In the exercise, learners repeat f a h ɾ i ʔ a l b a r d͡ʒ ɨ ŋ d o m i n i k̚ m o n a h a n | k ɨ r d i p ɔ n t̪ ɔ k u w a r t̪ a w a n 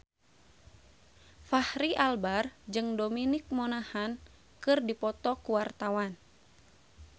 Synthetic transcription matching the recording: f a h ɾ i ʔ a l b a r d͡ʒ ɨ ŋ d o m i n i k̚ m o n a h a n | k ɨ r d i p ɔ t̪ ɔ k u w a r t̪ a w a n